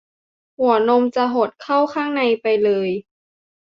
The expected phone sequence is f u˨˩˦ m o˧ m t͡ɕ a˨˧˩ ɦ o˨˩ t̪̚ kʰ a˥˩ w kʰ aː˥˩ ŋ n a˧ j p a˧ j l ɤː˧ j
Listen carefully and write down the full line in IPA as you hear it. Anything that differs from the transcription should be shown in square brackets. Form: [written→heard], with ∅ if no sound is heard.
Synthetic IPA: [f→h] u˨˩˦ [m→n] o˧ m t͡ɕ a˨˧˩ ɦ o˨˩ t̪̚ kʰ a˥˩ w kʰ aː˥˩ ŋ n a˧ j p a˧ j l ɤː˧ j